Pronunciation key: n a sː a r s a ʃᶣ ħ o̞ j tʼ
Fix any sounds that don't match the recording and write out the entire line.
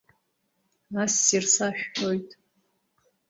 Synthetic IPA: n a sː i r s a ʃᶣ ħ o̞ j tʼ

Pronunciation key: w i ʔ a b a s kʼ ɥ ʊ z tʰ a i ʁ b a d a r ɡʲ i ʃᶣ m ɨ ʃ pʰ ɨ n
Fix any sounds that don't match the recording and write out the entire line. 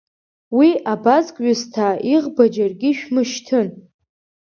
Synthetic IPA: w i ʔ a b a z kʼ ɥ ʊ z tʰ a i ʁ b a d͡ʒ a r ɡʲ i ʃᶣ m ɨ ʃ tʰ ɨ n

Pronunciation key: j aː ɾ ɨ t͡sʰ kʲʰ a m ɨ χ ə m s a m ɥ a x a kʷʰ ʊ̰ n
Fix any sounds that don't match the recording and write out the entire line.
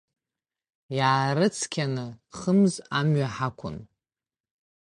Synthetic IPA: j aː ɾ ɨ t͡sʰ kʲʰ a n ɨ χ ə m z a m ɥ a ħ a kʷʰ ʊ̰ n

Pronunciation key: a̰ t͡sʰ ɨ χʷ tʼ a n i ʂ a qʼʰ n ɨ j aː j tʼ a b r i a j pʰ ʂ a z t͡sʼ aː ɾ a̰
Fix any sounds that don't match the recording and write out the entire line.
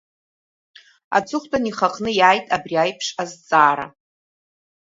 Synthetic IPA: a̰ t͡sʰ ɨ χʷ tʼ a n i χ a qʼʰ n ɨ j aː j tʼ a b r i a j pʰ ʂ a z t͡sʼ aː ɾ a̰

